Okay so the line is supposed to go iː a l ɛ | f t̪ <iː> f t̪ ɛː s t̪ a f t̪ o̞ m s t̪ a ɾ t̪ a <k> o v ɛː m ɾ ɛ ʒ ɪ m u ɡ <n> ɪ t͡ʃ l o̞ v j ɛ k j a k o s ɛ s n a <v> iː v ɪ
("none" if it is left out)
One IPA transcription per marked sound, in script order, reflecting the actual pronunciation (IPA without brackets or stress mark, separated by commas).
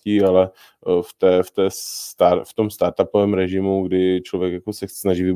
ɛː, p, d, ʒ